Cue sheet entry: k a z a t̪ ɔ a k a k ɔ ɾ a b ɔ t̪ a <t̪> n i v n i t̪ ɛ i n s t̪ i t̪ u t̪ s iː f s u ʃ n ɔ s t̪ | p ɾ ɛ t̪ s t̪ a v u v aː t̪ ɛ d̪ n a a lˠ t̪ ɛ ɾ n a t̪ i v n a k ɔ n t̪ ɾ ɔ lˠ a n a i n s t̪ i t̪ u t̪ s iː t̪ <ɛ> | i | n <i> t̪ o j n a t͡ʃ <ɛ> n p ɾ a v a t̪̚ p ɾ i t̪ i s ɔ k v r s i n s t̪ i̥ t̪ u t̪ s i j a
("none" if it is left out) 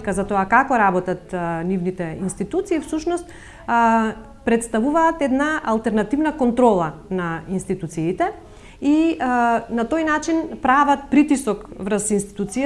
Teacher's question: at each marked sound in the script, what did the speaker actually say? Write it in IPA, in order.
t̪, ɛ, a, i

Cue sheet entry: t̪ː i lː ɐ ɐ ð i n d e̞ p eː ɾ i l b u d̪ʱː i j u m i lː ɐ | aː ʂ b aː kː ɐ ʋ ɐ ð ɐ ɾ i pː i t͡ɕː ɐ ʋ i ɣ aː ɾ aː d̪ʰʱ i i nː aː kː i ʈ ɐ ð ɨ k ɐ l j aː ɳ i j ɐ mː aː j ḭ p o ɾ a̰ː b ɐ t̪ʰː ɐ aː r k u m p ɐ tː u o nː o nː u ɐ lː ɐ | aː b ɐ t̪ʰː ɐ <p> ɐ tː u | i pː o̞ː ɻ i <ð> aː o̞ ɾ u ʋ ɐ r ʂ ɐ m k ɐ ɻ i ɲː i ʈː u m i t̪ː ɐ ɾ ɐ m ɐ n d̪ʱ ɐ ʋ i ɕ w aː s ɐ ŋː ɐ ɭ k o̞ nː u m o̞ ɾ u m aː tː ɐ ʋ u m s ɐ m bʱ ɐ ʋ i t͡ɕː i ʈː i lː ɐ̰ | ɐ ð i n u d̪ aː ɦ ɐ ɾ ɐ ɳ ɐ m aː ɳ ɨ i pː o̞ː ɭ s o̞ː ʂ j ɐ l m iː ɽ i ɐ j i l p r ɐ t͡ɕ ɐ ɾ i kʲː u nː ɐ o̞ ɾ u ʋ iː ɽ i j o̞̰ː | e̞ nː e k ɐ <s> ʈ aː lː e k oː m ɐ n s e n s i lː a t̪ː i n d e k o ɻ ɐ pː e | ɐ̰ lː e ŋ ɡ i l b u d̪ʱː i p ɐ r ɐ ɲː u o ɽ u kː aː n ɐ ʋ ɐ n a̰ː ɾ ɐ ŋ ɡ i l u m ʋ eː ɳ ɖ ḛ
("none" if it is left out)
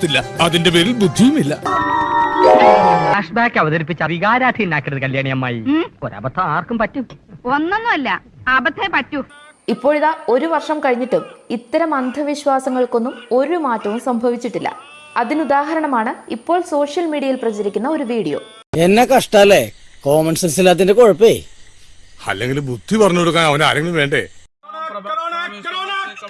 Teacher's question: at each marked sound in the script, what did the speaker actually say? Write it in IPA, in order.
p, ð, ʂ

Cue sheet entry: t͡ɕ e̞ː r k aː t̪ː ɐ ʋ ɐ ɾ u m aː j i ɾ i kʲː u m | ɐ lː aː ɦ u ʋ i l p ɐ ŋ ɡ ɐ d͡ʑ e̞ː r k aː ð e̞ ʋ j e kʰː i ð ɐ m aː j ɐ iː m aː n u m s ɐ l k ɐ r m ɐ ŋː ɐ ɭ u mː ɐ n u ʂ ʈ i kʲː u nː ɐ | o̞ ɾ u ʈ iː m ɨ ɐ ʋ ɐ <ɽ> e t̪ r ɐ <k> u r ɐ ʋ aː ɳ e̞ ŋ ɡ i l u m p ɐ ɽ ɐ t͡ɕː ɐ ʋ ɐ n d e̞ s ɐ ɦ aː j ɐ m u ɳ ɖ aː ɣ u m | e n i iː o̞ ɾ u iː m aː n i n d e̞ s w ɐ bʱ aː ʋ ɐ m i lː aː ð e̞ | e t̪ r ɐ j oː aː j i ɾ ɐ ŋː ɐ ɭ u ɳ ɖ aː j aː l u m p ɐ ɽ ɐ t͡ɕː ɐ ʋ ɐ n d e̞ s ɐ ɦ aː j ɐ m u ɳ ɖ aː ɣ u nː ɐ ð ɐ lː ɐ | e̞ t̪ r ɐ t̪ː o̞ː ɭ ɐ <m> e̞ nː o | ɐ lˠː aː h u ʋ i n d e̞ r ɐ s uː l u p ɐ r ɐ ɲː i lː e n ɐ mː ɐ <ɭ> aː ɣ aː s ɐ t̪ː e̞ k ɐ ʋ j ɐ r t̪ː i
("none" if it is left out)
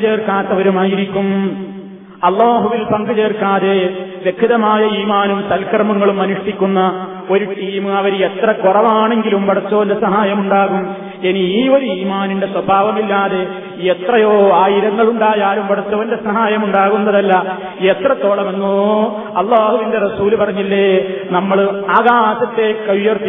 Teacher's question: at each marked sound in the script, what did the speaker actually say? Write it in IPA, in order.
ɾ, k, m, ɭ

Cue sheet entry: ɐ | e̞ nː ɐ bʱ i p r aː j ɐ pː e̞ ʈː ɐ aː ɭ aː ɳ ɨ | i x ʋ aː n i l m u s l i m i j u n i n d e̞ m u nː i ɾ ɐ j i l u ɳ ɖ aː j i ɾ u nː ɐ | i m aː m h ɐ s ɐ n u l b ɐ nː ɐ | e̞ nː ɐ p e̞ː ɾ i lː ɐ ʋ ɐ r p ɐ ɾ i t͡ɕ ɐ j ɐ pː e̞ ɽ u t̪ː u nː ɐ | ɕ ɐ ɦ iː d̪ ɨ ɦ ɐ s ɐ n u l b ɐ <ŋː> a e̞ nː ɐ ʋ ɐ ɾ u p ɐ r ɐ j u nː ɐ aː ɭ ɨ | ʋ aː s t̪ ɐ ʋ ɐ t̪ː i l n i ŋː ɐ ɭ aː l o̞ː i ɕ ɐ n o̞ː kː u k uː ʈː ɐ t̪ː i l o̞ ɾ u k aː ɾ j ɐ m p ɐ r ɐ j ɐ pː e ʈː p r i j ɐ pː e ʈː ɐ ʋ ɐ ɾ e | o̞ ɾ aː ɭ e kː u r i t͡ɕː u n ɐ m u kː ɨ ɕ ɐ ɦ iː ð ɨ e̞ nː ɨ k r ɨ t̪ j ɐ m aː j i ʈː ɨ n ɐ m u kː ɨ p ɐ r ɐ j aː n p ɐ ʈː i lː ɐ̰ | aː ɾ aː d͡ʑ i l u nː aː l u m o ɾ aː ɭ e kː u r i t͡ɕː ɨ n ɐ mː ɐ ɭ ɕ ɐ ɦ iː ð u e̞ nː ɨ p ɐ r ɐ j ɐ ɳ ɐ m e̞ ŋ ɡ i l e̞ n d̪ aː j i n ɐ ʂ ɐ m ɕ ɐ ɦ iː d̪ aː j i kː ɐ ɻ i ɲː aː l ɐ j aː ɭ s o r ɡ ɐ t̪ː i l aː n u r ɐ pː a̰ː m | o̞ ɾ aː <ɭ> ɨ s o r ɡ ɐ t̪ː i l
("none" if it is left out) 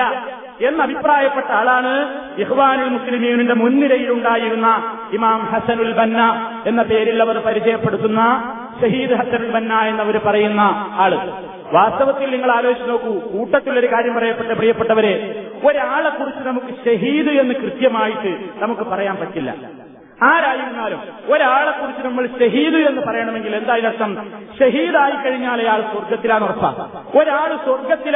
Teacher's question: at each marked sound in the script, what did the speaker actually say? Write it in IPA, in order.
nː, ɭ

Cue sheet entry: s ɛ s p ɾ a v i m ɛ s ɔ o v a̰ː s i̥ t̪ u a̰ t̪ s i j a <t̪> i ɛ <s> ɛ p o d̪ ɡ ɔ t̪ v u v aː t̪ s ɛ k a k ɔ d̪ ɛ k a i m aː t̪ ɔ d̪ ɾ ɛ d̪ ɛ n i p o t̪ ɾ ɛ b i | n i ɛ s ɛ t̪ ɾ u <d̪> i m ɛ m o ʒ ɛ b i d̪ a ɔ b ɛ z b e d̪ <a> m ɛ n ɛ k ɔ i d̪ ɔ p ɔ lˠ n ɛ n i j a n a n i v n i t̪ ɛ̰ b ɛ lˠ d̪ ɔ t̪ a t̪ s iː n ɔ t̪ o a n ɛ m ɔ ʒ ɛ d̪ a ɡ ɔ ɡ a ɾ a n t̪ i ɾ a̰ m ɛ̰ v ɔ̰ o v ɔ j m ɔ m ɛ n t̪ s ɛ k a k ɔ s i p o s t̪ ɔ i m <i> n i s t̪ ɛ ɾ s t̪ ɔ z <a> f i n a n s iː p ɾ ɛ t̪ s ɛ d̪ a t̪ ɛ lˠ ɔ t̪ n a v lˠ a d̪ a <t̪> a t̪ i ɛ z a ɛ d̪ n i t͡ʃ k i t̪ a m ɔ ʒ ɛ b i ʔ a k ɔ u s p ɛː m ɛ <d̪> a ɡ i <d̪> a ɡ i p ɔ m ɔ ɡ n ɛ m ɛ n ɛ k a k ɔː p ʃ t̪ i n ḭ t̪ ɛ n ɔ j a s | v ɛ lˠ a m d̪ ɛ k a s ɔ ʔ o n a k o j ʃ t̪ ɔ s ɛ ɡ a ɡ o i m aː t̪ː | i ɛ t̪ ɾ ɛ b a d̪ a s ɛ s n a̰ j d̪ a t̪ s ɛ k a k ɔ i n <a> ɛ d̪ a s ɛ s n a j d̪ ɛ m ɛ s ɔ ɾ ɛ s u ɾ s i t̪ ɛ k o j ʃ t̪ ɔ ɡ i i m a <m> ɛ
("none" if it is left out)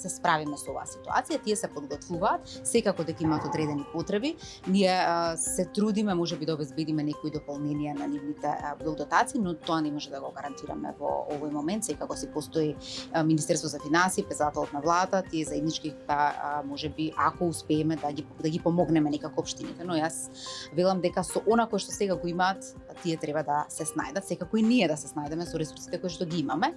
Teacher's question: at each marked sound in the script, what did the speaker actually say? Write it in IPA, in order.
t̪, s, d̪, i, i, a, t̪, d̪, d̪, i, m

